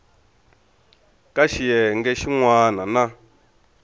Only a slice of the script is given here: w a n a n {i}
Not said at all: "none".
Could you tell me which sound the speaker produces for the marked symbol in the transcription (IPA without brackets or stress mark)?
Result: a